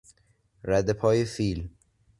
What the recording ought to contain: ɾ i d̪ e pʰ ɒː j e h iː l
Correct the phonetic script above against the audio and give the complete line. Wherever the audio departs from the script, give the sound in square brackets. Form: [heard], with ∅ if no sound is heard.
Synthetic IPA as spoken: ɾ [æ] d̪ e pʰ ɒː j e [f] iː l